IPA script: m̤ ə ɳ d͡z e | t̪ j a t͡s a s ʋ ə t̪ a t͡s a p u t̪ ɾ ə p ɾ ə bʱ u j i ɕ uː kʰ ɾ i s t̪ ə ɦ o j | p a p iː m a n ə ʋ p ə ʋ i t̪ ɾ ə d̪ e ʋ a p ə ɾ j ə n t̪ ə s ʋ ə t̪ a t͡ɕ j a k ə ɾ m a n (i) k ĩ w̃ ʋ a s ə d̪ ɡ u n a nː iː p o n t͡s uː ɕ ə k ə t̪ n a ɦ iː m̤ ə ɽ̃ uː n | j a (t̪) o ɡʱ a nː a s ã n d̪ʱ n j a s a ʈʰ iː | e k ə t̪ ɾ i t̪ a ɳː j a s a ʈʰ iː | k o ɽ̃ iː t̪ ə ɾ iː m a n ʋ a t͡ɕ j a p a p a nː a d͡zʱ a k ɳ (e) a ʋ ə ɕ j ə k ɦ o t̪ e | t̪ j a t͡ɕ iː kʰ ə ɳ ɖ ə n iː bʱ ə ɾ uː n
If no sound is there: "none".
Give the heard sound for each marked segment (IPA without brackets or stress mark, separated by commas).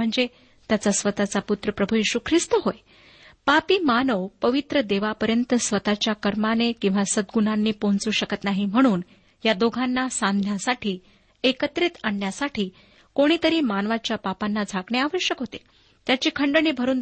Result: e, d̪, e